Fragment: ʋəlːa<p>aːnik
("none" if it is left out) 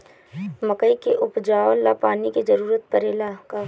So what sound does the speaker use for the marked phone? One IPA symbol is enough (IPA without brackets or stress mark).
p